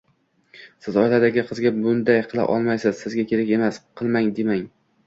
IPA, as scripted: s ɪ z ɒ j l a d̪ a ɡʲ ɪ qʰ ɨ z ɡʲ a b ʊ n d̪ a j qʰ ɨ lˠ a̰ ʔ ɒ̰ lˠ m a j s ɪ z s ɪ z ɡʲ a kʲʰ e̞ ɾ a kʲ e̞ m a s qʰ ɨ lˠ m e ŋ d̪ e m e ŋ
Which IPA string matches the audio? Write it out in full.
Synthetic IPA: s ɪ z ɒ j l a d̪ a ɡʲ ɪ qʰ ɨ z ɡʲ a b ʊ n d̪ a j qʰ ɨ lˠ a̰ ʔ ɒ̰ lˠ m a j s ɪ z s ɪ z ɡʲ a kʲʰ e̞ ɾ a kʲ e̞ m a s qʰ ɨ lˠ m a ŋ d̪ e m a ŋ